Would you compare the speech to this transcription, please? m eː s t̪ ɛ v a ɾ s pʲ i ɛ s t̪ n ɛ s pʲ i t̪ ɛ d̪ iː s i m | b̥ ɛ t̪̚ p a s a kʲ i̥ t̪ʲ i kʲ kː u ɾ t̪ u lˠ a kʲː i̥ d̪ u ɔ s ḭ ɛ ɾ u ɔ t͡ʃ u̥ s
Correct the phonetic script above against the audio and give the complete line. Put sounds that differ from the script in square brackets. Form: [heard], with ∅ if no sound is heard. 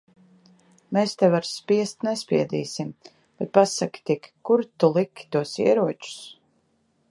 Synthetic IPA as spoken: m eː s t̪ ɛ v a ɾ s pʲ i ɛ s t̪ n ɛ s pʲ i [∅] ɛ d̪ iː s i m | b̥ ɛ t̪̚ p a s a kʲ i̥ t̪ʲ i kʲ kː u ɾ t̪ u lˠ [i] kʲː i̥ [t̪] u ɔ s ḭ ɛ ɾ u ɔ t͡ʃ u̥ s